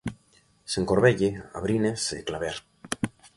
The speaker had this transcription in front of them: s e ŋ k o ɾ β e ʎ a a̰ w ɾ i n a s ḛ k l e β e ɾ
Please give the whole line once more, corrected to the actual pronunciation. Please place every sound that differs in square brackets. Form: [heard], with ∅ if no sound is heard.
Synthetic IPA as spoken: s e ŋ k o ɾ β e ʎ [e] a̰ [β] ɾ i n [e] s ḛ k l [a] β e ɾ